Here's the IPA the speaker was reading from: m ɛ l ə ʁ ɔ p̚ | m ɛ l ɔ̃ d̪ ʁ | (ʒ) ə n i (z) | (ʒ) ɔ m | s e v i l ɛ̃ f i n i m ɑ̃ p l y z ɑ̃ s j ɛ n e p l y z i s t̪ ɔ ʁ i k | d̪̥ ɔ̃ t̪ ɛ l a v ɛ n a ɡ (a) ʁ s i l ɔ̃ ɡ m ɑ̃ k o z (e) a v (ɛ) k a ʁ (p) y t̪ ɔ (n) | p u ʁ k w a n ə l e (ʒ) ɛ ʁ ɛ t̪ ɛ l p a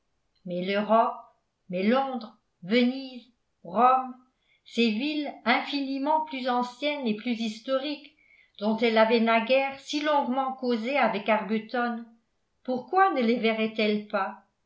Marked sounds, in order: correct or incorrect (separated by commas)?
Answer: incorrect, correct, incorrect, incorrect, correct, correct, incorrect, correct, incorrect